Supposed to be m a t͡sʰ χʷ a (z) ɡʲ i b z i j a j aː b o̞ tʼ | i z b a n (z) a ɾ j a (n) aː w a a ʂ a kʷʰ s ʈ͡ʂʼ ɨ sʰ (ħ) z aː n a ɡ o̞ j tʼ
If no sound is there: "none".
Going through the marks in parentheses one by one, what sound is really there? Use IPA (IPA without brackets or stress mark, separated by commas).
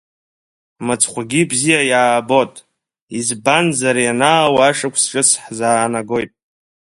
none, z, n, ħ